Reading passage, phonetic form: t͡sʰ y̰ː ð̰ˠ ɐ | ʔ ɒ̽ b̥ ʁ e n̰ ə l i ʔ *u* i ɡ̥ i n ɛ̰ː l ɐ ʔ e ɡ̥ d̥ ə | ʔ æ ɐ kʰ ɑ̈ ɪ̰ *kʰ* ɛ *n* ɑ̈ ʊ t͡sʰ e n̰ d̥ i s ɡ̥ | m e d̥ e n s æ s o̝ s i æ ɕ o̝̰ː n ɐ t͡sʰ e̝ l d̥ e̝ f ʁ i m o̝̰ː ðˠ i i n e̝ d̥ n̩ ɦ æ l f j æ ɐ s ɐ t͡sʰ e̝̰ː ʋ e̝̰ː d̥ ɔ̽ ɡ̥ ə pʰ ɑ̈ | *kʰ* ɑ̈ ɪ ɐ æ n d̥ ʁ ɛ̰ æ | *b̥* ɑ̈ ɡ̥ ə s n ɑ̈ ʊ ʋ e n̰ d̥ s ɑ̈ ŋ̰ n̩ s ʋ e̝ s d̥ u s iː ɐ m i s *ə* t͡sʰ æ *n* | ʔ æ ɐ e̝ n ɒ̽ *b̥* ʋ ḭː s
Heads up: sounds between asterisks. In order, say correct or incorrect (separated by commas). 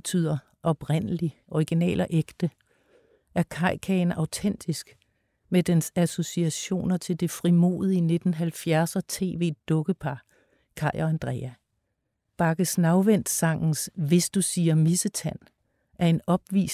incorrect, correct, correct, correct, correct, correct, correct, correct